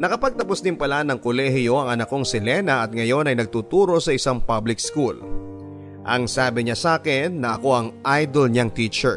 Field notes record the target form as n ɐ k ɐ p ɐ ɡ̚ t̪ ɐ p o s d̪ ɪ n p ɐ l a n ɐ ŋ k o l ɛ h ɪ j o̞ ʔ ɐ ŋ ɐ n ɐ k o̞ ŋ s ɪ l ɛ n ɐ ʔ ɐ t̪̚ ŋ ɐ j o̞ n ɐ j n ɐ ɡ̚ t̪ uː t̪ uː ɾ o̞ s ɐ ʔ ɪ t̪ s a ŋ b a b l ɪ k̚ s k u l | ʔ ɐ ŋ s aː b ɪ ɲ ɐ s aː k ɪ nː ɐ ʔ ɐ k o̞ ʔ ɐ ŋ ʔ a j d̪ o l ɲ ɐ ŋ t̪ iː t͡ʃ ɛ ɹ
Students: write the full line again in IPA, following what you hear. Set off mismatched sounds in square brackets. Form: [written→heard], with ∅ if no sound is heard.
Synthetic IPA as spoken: n ɐ k ɐ p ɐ ɡ̚ t̪ ɐ p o s d̪ ɪ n p ɐ l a n ɐ ŋ k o l ɛ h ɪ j o̞ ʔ ɐ ŋ ɐ n ɐ k o̞ ŋ s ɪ l ɛ n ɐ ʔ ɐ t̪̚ ŋ ɐ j o̞ n ɐ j n ɐ ɡ̚ t̪ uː t̪ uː ɾ o̞ s ɐ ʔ ɪ [t̪→∅] s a ŋ [b→p] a b l ɪ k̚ s k u l | ʔ ɐ ŋ s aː b ɪ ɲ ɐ s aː k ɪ nː ɐ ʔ ɐ k o̞ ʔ ɐ ŋ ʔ a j d̪ o l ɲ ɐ ŋ t̪ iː t͡ʃ ɛ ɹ